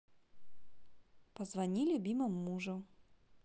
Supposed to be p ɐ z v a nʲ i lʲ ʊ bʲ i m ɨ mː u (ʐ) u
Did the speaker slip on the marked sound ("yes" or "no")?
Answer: no